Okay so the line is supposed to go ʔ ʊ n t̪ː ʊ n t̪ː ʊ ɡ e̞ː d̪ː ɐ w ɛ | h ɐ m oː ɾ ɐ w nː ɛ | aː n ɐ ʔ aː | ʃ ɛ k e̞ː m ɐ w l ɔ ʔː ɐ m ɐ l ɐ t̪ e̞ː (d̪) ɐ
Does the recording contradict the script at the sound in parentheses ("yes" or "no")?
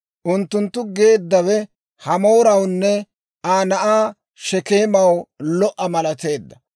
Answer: yes